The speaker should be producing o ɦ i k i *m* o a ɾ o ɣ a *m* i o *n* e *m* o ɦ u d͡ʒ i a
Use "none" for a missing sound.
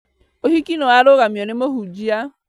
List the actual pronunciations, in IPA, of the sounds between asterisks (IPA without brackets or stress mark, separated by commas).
n, m, n, m